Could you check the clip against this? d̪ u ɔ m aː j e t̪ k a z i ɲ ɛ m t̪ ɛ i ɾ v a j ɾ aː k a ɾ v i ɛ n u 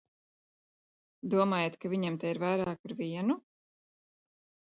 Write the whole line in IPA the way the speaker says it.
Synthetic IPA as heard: d̪ u ɔ m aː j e t̪ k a v i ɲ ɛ m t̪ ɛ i ɾ v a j ɾ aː k a ɾ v i ɛ n u